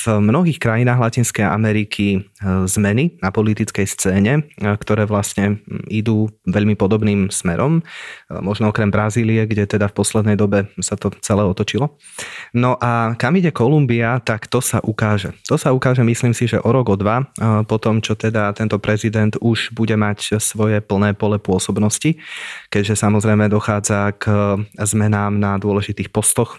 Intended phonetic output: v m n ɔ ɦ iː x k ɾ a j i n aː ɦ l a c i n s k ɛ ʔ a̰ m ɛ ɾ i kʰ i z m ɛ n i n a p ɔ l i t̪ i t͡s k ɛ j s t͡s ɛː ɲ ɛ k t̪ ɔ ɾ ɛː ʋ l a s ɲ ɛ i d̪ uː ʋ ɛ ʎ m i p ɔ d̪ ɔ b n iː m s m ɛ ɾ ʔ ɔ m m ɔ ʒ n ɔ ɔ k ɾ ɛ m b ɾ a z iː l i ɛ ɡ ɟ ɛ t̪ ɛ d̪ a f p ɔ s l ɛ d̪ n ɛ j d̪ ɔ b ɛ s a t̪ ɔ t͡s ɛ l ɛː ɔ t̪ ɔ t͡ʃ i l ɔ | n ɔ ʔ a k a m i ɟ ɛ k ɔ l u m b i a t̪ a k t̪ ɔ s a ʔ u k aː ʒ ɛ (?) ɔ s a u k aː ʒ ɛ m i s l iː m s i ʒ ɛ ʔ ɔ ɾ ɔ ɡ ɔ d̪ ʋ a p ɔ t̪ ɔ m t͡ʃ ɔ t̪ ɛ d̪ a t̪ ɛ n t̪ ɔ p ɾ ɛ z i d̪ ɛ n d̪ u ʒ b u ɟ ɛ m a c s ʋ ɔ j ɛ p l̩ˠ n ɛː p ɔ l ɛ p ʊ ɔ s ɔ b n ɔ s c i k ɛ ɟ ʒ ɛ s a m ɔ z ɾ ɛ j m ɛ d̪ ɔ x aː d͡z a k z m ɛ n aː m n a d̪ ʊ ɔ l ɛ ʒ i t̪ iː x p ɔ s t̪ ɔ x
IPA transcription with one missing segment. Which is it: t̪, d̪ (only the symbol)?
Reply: t̪